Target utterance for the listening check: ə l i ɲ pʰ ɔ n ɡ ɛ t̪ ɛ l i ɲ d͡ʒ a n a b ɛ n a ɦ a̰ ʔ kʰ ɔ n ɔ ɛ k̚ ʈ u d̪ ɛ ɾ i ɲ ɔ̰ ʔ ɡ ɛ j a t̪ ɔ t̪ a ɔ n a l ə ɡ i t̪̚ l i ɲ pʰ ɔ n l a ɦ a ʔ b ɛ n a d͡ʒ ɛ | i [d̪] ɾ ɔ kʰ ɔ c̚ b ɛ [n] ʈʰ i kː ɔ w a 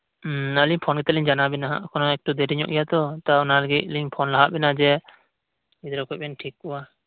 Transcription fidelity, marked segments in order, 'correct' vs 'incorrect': correct, correct

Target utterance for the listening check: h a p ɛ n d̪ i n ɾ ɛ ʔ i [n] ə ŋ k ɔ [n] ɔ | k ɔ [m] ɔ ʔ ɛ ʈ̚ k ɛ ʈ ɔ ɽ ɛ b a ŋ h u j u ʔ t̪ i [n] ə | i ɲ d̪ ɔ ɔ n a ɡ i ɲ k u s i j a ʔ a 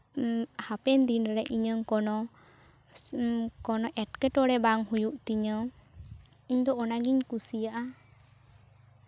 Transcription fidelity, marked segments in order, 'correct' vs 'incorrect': incorrect: ɲ, correct, incorrect: n, incorrect: ɲ

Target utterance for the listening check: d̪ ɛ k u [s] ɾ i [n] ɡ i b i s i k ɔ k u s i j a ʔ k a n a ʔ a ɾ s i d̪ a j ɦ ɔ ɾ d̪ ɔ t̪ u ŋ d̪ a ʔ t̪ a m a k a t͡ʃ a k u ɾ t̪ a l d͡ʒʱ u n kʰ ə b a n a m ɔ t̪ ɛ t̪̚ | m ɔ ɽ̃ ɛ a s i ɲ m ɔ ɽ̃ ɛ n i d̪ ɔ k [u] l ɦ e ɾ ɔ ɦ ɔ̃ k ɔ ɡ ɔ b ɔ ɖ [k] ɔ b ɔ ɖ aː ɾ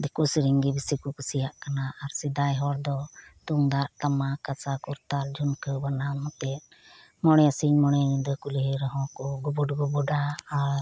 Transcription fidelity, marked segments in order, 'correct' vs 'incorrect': correct, incorrect: ŋ, correct, incorrect: ɡ

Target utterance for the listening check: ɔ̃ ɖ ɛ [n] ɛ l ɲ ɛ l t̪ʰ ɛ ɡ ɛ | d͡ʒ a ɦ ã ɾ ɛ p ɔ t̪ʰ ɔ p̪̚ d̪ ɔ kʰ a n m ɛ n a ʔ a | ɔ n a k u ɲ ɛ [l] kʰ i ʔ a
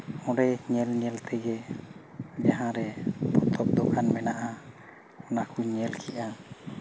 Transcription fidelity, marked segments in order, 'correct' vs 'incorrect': incorrect: ɲ, correct

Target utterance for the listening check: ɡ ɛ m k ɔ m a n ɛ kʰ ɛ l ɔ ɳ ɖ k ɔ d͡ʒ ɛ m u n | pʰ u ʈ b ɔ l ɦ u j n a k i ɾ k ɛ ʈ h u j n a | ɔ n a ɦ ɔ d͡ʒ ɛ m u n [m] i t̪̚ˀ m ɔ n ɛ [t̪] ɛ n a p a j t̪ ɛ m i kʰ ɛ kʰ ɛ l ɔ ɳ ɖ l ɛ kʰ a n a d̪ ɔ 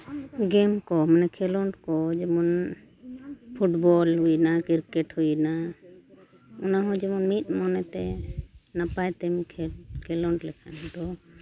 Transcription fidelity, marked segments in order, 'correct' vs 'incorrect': correct, correct

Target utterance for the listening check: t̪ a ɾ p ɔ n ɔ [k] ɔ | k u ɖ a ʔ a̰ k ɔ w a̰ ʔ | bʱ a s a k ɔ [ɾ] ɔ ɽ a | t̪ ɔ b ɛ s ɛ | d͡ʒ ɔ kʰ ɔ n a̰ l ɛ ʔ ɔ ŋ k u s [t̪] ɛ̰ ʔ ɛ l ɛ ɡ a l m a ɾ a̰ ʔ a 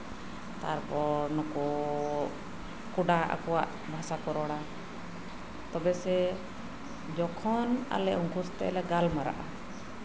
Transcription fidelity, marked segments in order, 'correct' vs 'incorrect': correct, correct, correct

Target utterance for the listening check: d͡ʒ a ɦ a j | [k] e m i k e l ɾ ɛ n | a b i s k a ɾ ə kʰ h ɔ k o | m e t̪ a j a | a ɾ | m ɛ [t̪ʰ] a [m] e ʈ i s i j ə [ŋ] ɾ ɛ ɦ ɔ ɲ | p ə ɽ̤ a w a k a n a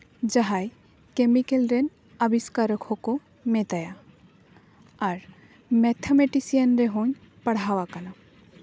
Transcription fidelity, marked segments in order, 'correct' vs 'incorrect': correct, correct, correct, incorrect: n

